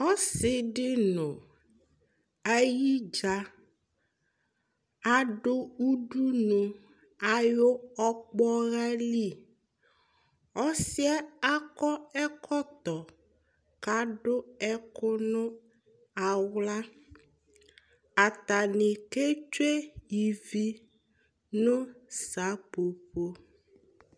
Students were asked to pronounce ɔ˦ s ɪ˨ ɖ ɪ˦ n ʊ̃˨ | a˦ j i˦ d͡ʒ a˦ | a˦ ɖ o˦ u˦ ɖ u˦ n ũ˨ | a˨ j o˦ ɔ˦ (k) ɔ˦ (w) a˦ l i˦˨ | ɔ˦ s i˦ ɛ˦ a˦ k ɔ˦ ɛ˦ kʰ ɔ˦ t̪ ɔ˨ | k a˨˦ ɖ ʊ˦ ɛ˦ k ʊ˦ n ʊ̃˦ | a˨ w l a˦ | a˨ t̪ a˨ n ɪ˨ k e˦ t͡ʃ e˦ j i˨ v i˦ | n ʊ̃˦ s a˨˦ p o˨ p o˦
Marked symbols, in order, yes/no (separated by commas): no, no